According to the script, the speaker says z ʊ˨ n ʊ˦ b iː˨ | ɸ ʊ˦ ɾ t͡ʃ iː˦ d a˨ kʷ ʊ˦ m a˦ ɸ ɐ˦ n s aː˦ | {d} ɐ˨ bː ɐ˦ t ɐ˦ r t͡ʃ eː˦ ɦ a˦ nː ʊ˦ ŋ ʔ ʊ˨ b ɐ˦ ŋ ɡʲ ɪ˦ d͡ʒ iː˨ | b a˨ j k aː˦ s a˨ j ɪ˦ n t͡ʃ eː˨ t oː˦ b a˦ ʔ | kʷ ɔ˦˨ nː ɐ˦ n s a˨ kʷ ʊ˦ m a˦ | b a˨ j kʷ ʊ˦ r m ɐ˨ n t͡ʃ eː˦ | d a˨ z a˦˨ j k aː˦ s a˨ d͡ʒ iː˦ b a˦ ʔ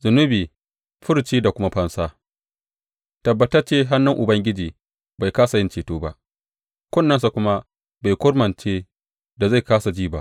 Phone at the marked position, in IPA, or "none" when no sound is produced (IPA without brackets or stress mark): t